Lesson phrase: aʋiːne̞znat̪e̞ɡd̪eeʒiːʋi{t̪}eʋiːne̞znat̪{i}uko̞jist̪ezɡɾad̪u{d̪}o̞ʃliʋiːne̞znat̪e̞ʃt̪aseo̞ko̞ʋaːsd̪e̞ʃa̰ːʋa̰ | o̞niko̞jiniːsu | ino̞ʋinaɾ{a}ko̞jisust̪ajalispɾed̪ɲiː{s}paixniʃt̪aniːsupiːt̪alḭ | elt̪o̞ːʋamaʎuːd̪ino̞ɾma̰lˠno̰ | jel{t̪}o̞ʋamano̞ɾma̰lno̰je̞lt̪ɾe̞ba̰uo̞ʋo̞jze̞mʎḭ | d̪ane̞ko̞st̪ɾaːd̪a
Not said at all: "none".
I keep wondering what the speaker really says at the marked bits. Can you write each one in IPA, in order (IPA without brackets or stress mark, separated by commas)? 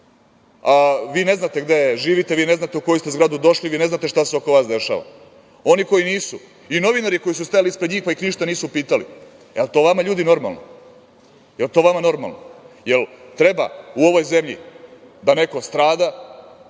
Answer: t̪, e, d̪, i, x, t̪